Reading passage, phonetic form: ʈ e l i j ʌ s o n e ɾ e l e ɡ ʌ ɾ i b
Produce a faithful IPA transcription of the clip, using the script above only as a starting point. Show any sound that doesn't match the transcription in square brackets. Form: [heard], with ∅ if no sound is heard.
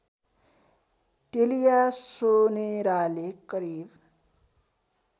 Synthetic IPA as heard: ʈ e l i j [a] s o n e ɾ [a] l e [k] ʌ ɾ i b